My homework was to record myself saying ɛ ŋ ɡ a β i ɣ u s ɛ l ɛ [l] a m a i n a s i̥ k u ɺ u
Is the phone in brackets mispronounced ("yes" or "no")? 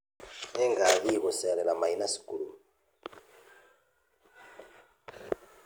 no